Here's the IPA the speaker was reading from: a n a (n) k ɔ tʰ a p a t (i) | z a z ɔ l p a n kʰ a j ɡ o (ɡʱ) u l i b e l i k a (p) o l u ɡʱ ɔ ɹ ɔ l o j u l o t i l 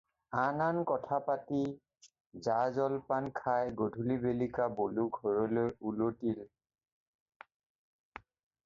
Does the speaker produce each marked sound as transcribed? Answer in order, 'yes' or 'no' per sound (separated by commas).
yes, yes, no, no